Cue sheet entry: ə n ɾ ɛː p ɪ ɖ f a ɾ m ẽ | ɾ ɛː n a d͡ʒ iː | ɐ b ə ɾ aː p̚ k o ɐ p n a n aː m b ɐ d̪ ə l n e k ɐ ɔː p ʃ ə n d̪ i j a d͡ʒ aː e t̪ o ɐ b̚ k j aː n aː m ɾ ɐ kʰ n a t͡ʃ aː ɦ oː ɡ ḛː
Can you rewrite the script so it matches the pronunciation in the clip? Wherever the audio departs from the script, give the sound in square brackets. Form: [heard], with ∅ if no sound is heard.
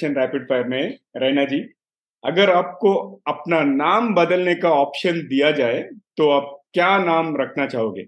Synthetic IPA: ə n ɾ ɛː p ɪ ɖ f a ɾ m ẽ | ɾ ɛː n a d͡ʒ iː | ɐ [ɡ] ə ɾ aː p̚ k o ɐ p n a n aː m b ɐ d̪ ə l n e k [a] ɔː p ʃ ə n d̪ i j a d͡ʒ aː e t̪ o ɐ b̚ k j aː n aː m ɾ ɐ kʰ n a t͡ʃ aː ɦ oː ɡ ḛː